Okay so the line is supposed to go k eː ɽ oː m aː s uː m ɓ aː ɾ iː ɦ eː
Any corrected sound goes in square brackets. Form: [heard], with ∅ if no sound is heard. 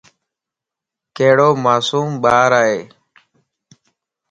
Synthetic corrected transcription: k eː ɽ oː m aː s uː m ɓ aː ɾ [aː] ɦ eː